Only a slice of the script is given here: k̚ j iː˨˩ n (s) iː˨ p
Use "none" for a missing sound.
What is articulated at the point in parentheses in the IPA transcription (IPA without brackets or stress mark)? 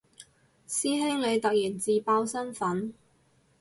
t͡s